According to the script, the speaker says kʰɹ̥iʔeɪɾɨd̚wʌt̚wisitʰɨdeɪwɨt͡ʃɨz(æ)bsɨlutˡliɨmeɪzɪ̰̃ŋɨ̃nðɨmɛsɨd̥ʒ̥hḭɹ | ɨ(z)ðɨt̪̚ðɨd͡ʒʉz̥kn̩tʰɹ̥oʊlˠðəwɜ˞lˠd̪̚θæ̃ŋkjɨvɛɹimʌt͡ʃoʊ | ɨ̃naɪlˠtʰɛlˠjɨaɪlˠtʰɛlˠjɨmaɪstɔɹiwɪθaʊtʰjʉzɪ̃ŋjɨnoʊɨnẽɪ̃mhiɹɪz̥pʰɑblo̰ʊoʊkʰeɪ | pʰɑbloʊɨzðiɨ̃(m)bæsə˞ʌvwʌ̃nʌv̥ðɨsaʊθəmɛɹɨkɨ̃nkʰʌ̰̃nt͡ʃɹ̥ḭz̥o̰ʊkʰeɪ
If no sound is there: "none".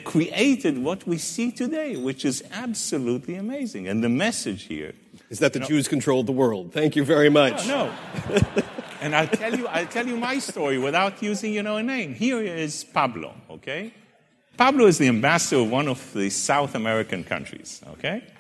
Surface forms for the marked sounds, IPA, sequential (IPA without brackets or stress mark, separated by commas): æ, z, m